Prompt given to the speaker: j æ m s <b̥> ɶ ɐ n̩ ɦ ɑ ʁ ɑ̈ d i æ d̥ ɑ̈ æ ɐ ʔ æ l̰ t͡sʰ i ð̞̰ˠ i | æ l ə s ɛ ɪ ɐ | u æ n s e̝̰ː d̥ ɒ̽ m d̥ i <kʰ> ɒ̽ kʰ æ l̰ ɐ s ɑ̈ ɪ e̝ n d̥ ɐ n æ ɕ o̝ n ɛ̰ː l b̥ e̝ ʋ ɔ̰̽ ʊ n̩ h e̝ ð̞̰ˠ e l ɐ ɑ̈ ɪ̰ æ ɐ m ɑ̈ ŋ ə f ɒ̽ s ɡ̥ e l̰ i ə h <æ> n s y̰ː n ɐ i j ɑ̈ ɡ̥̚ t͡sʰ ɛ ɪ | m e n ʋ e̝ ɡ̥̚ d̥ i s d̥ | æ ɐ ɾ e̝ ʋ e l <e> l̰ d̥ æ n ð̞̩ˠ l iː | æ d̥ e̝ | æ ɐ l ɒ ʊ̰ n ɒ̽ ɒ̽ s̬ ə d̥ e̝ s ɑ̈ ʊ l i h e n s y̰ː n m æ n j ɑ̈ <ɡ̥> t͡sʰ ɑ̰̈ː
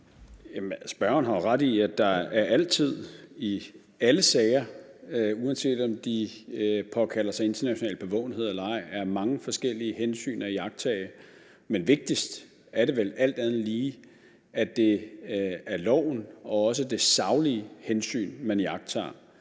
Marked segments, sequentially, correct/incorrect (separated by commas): correct, incorrect, incorrect, incorrect, correct